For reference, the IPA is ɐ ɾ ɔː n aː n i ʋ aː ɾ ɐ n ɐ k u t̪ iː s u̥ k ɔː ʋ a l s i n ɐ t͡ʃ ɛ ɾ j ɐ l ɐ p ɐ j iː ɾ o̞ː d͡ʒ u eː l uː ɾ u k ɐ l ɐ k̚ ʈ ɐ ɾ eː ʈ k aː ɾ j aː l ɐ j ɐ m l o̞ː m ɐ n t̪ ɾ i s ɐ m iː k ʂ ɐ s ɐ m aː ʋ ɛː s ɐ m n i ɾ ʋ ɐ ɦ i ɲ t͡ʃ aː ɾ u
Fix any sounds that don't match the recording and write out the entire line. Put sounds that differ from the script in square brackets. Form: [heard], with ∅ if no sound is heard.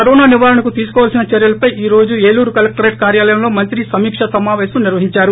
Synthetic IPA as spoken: ɐ ɾ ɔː n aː n i ʋ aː ɾ ɐ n ɐ k u t̪ iː s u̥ k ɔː ʋ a l s i n ɐ t͡ʃ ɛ ɾ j ɐ l ɐ p ɐ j iː ɾ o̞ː d͡ʒ u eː l uː ɾ u k ɐ l ɐ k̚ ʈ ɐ ɾ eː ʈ k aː ɾ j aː l ɐ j ɐ m l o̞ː m ɐ n t̪ ɾ i s ɐ m iː k ʂ ɐ s ɐ m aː ʋ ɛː s ɐ m n i ɾ ʋ ɐ ɦ i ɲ t͡ʃ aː ɾ u